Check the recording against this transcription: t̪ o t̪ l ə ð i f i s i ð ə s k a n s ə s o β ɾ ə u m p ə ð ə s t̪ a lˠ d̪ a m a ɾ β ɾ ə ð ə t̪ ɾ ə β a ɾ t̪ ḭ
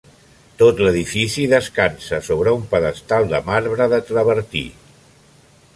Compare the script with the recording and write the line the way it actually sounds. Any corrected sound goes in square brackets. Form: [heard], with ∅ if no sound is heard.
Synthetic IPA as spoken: t̪ o t̪ l ə ð i f i s i ð ə s k a n s ə s o β ɾ ə u m p ə ð ə s t̪ a lˠ d̪ [ə] m a ɾ β ɾ ə ð ə t̪ ɾ ə β [ə] ɾ t̪ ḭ

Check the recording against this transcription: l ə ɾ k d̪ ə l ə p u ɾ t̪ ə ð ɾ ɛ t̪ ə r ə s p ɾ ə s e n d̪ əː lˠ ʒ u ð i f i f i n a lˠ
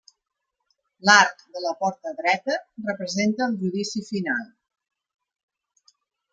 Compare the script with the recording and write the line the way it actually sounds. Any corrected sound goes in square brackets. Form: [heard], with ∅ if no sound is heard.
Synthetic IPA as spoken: l [a] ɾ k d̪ ə l ə p [ɔ] ɾ t̪ ə ð ɾ ɛ t̪ ə r ə [∅] p ɾ ə [z] e n [t̪] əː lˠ ʒ u ð i [s] i f i n a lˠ

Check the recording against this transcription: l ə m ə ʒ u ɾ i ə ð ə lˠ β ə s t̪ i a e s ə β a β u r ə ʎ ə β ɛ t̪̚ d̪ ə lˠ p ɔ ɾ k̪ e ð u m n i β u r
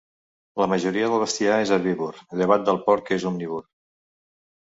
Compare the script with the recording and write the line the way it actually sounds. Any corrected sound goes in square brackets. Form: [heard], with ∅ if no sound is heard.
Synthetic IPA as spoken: l ə m ə ʒ u ɾ i ə ð ə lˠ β ə s t̪ i a e [z] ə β [i] β u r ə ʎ ə β [a] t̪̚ d̪ ə lˠ p ɔ ɾ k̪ e [z] u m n i β u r

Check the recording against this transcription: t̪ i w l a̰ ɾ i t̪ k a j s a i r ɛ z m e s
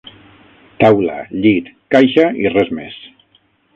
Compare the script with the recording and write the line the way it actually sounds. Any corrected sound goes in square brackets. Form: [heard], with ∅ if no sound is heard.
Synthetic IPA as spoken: t̪ [a] w l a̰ [ʎ] i t̪ k a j [ʃ] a i r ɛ z m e s

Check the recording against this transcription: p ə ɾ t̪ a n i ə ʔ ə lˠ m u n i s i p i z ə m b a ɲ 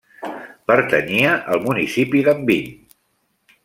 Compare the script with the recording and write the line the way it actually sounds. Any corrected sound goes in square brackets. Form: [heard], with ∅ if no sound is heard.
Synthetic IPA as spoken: p ə ɾ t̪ [ə] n i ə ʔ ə lˠ m u n i s i p i [ð] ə m b [i] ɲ

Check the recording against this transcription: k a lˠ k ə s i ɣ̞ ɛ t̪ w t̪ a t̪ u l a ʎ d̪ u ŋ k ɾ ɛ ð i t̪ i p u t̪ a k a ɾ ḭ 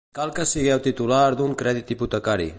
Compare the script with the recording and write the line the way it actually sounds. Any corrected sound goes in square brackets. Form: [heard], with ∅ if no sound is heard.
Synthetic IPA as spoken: k a lˠ k ə s i ɣ̞ ɛ [∅] w t̪ [i] t̪ u l a [ɾ] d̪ u ŋ k ɾ ɛ ð i t̪ i p u t̪ [ə] k a ɾ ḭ

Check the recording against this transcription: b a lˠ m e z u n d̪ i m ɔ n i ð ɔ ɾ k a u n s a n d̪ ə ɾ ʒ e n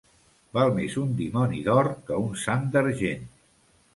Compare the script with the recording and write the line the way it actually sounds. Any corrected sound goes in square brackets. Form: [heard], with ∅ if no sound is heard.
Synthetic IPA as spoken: b a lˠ m e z u n d̪ i m ɔ n i ð ɔ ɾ k [ə] u n s a n d̪ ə ɾ ʒ e n

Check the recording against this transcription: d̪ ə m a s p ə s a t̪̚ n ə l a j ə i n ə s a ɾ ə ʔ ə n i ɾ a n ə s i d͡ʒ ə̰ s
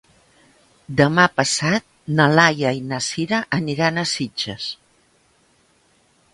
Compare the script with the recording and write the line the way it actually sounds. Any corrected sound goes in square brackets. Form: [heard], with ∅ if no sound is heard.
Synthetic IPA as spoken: d̪ ə m a [∅] p ə s a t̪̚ n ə l a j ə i n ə s [i] ɾ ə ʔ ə n i ɾ a n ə s i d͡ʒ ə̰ s

